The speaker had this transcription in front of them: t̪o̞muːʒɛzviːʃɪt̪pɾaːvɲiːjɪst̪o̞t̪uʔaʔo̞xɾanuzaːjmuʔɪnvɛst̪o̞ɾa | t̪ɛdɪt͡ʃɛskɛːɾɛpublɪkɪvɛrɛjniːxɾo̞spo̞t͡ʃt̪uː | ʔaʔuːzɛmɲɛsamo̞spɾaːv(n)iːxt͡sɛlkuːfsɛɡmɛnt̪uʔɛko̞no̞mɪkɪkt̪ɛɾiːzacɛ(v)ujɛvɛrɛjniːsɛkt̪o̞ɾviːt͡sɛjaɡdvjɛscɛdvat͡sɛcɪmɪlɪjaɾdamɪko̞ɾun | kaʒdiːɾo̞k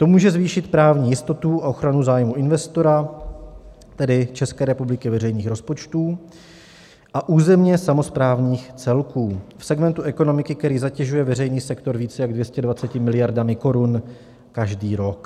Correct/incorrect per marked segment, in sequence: incorrect: ɲ, incorrect: ʒ

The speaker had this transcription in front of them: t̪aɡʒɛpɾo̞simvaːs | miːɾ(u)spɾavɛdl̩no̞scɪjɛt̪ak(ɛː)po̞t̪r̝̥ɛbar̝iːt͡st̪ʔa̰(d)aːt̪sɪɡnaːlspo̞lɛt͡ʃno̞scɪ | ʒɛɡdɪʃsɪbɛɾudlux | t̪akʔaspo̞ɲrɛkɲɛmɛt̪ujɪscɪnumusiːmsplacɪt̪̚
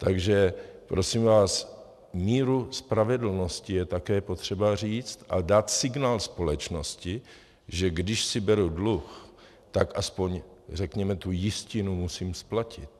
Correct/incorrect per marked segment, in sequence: correct, correct, correct

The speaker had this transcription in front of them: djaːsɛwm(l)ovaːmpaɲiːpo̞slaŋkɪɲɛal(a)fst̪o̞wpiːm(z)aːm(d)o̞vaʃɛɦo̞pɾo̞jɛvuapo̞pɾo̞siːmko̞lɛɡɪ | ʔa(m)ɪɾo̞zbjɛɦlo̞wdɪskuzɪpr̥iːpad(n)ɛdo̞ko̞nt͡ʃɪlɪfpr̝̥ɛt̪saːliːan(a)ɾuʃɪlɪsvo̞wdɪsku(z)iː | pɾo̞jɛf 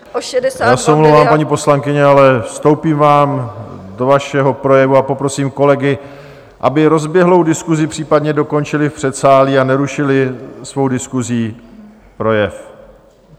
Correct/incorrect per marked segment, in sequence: correct, incorrect: ɛ, incorrect: v, correct, incorrect: b, incorrect: ɲ, incorrect: ɛ, correct

